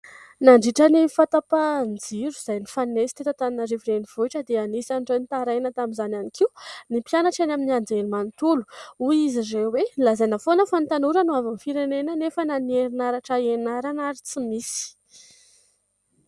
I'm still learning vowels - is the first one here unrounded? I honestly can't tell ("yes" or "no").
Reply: yes